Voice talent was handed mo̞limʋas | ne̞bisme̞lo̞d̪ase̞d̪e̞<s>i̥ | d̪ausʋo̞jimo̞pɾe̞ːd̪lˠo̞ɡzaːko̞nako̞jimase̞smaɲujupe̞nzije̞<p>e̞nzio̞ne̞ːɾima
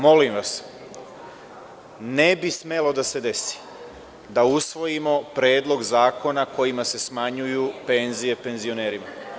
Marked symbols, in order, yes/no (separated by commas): yes, yes